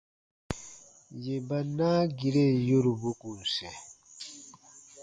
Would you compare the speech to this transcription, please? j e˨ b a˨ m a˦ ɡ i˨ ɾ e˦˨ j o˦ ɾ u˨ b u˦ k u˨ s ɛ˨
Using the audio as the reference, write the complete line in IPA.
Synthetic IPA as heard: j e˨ b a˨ n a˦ ɡ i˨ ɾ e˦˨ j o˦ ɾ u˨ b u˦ k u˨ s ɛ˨